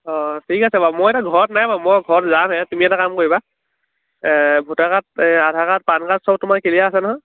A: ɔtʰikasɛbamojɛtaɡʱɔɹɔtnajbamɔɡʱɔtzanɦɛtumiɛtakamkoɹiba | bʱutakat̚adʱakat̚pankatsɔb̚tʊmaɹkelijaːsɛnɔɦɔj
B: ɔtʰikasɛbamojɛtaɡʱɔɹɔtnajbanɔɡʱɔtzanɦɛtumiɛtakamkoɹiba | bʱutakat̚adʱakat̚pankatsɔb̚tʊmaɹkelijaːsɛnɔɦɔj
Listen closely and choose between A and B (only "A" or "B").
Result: A